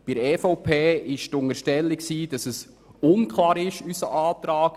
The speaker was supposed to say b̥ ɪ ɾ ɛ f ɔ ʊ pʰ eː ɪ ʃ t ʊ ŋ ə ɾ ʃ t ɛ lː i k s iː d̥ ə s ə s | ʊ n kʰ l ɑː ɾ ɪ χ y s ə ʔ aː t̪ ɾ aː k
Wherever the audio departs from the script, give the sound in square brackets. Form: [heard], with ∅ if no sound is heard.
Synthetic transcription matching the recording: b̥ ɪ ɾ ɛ f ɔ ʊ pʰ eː ɪ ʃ t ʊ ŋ ə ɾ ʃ t ɛ lː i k s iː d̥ [ɑ] s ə s | ʊ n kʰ l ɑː ɾ ɪ [ʃ] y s ə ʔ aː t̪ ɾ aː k